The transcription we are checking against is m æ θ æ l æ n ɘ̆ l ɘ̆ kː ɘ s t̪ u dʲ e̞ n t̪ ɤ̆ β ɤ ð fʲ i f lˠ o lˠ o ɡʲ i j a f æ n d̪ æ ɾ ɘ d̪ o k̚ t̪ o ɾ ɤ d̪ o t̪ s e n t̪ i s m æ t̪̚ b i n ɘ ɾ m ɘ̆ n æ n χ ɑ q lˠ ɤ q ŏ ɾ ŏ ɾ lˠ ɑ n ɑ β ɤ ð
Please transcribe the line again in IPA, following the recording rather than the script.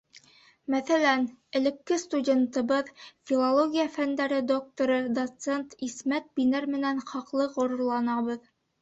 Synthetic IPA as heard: m æ θ æ l æ n ɘ̆ l ɘ̆ kː ɘ s t̪ u dʲ e̞ n t̪ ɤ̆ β ɤ ð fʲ i lˠ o lˠ o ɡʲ i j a f æ n d̪ æ ɾ ɘ d̪ o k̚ t̪ o ɾ ɤ d̪ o t̪ s e n t̪ i s m æ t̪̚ b i n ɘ ɾ m ɘ̆ n æ n χ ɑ q lˠ ɤ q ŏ ɾ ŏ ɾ lˠ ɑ n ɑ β ɤ ð

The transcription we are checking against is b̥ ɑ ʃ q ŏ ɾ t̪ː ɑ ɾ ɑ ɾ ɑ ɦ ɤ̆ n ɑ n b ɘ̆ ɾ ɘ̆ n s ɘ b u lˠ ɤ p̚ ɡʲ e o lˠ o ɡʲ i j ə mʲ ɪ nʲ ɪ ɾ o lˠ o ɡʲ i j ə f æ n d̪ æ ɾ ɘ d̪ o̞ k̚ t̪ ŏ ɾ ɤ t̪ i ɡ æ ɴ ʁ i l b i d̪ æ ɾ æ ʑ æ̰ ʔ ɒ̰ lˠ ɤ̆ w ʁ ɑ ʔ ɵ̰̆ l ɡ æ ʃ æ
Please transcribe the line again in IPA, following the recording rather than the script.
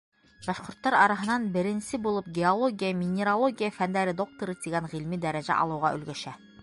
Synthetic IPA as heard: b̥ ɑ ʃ q ŏ ɾ t̪ː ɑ ɾ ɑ ɾ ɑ ɦ ɤ̆ n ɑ n b ɘ̆ ɾ ɘ̆ n s ɘ b u lˠ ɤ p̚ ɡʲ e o lˠ o ɡʲ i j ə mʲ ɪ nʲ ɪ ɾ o lˠ o ɡʲ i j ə f æ n d̪ æ ɾ ɘ d̪ o̞ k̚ t̪ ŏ ɾ ɤ t̪ i ɡ æ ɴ ʁ i l m i d̪ æ ɾ æ ʑ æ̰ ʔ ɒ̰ lˠ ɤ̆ w ʁ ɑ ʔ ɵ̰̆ l ɡ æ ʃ æ

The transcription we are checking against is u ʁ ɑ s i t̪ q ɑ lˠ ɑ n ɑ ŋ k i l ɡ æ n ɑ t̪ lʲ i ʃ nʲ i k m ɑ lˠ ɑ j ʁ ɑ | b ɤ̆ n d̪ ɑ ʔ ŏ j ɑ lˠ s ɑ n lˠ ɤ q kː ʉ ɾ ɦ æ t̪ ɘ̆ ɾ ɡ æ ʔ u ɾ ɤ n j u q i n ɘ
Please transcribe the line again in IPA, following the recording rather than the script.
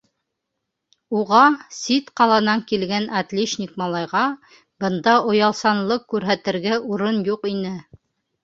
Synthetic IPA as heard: u ʁ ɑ s i t̪ q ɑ lˠ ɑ n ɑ ŋ k i l ɡ æ n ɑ t̪ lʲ i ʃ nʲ i k m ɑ lˠ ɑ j ʁ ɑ | b ɤ̆ n d̪ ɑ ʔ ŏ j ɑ lˠ s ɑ n lˠ ɤ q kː ʉ ɾ ɦ æ t̪ ɘ̆ ɾ ɡ æ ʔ u ɾ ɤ n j u q i n ɘ

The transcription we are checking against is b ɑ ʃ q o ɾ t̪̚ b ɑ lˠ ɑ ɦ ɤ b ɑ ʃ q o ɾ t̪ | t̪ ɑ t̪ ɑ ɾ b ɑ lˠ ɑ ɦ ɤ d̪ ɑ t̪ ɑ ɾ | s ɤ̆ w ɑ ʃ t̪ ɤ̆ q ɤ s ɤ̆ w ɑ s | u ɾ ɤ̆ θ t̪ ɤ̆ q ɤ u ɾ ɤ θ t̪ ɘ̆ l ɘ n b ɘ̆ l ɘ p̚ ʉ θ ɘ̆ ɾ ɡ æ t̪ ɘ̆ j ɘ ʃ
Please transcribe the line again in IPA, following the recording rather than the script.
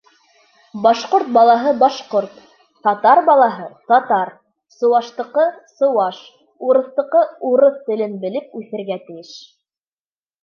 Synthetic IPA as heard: b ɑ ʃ q o ɾ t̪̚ b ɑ lˠ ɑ ɦ ɤ b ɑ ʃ q o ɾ t̪ | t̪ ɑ t̪ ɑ ɾ b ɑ lˠ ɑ ɦ ɤ t̪ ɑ t̪ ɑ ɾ | s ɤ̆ w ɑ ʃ t̪ ɤ̆ q ɤ s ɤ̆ w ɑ ʃ | u ɾ ɤ̆ θ t̪ ɤ̆ q ɤ u ɾ ɤ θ t̪ ɘ̆ l ɘ n b ɘ̆ l ɘ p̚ ʉ θ ɘ̆ ɾ ɡ æ t̪ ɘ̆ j ɘ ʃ

